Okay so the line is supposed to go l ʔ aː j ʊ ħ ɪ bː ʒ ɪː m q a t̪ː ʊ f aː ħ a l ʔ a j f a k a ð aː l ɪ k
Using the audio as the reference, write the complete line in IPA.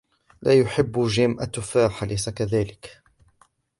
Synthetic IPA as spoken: l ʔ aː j ʊ ħ ɪ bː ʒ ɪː m ʔ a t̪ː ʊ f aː ħ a l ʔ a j s a k a ð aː l ɪ k

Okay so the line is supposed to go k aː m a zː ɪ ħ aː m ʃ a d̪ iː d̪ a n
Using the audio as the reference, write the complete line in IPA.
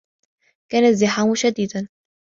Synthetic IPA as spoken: k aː n a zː ɪ ħ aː m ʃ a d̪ iː d̪ a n

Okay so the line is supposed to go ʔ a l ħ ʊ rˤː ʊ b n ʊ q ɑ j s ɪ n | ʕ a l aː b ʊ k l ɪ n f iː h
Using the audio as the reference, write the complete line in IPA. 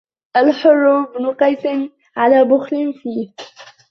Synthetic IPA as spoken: ʔ a l ħ ʊ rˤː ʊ b n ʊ q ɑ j s ɪ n | ʕ a l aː b ʊ x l ɪ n f iː h

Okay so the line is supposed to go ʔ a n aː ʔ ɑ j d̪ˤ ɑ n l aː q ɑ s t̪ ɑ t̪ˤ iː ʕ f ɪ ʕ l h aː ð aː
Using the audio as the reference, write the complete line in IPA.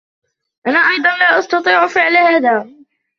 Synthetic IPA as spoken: ʔ a n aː ʔ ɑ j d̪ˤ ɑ n l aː ʔ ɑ s t̪ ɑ t̪ˤ iː ʕ f ɪ ʕ l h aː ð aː

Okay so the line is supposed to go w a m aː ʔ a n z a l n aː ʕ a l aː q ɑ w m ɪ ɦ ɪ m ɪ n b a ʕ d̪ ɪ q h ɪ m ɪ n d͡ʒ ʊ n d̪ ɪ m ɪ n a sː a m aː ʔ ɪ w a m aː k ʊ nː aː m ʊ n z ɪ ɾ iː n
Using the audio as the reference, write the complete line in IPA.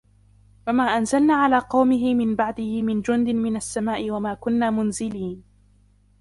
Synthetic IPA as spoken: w a m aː ʔ a n z a l n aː ʕ a l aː q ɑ w m ɪ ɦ ɪ m ɪ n b a ʕ d̪ ɪ h ɪ m ɪ n d͡ʒ ʊ n d̪ ɪ m ɪ n a sː a m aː ʔ ɪ w a m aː k ʊ nː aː m ʊ n z ɪ l iː n

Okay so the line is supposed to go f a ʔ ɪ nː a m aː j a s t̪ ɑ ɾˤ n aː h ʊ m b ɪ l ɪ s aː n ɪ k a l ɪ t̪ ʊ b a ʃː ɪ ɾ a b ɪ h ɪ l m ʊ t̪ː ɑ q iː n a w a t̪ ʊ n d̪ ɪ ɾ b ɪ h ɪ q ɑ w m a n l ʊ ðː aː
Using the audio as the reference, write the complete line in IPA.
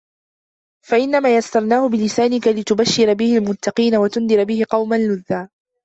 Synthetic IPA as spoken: f a ʔ ɪ nː a m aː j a s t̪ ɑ ɾˤ n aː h ʊ b ɪ l ɪ s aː n ɪ k a l ɪ t̪ ʊ b a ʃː ɪ ɾ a b ɪ h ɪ l m ʊ t̪ː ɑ q iː n a w a t̪ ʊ n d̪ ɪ ɾ b ɪ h ɪ q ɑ w m a n l ʊ ðː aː

